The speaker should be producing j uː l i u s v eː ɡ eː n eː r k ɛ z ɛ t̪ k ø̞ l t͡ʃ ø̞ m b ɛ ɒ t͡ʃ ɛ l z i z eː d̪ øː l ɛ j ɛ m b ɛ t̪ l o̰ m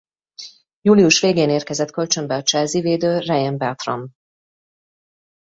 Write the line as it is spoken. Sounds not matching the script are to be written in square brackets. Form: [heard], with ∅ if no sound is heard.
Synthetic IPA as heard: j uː l i u [ʃ] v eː ɡ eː n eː r k ɛ z ɛ t̪ k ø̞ l t͡ʃ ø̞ m b ɛ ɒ t͡ʃ ɛ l z i [v] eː d̪ øː [r] ɛ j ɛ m b ɛ t̪ [r] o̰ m